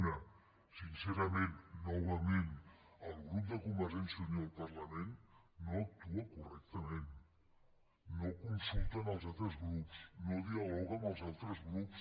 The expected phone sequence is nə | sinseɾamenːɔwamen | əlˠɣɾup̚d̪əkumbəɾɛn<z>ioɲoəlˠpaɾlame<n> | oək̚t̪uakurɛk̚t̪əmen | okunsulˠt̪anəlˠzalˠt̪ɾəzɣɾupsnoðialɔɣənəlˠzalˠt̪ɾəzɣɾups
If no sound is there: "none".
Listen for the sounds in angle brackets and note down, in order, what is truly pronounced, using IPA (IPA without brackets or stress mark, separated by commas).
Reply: s, nː